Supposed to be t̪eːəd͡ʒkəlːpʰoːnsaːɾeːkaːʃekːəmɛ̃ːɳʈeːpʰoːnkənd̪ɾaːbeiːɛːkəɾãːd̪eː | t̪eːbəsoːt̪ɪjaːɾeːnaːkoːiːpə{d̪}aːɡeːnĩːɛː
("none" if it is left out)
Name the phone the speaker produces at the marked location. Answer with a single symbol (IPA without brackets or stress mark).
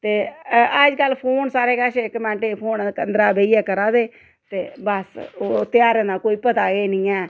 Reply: t̪